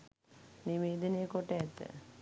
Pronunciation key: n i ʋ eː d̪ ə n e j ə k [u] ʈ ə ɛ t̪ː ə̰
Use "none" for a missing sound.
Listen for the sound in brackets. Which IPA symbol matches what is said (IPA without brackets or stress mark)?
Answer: o